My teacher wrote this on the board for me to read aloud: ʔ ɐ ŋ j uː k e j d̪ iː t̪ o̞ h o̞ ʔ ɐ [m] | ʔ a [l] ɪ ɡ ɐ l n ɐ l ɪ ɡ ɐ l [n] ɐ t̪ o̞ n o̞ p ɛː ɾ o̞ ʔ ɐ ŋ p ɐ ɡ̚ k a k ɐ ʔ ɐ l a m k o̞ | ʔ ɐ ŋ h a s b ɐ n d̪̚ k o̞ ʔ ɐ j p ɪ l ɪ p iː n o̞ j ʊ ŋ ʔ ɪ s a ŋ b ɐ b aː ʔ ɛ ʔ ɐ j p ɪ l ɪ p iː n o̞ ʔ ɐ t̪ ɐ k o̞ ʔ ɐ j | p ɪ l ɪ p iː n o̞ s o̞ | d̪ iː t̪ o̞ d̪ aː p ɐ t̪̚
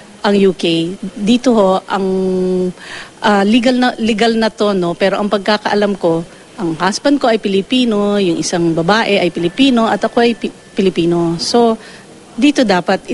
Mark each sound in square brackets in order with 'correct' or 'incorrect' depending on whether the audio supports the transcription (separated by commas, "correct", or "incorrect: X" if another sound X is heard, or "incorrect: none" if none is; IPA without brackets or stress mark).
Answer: incorrect: ŋ, correct, correct